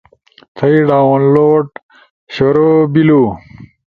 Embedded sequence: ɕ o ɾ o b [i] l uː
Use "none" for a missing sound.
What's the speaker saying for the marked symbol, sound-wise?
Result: i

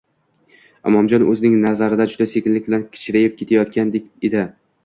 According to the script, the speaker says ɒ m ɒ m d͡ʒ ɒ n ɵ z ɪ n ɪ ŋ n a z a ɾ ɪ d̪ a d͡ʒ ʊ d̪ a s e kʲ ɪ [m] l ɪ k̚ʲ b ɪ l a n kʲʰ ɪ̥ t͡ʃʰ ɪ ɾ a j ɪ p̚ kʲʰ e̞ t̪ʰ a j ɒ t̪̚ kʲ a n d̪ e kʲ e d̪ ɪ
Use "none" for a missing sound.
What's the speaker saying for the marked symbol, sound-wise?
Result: n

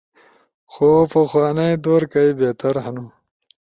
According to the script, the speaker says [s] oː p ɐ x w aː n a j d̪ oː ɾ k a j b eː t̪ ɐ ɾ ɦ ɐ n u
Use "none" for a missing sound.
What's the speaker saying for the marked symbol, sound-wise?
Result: x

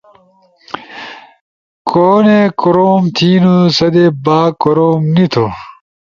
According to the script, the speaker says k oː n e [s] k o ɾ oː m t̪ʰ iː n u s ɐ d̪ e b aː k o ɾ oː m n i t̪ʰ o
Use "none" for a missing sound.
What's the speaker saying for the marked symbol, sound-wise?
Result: none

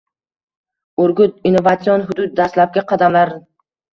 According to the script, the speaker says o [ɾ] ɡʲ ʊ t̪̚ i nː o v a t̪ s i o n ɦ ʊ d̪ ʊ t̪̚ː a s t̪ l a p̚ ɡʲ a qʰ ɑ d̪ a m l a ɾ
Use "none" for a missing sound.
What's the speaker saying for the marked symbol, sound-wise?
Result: ɾ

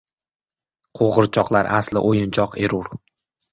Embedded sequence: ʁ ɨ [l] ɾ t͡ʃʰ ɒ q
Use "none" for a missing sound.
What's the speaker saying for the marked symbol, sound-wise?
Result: none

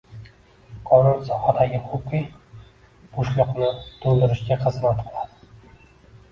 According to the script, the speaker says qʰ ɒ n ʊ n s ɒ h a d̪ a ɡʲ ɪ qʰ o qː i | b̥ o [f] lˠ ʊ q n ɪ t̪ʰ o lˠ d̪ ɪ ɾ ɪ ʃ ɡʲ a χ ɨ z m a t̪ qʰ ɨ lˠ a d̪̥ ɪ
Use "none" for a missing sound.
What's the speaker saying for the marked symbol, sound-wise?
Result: ʃ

